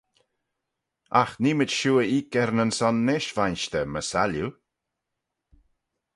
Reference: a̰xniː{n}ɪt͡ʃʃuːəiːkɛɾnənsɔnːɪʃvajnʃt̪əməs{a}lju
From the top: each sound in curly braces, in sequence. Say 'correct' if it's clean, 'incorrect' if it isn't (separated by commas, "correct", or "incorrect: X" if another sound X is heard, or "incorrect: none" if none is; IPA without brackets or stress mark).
incorrect: m, correct